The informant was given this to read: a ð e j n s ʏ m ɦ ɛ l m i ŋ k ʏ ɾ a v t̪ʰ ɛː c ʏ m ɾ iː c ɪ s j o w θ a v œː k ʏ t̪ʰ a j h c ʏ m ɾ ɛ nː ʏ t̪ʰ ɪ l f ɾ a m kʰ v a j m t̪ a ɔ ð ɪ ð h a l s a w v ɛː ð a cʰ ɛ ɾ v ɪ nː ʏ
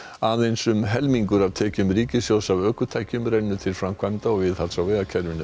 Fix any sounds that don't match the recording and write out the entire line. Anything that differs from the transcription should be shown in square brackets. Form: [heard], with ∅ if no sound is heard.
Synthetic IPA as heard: a ð e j n s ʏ m ɦ ɛ l m i ŋ k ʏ ɾ a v t̪ʰ ɛː c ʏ m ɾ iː c ɪ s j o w [s] a v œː k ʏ t̪ʰ a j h c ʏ m ɾ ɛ nː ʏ t̪ʰ ɪ l f ɾ a m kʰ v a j m t̪ a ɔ [v] ɪ ð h a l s a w v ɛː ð a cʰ ɛ ɾ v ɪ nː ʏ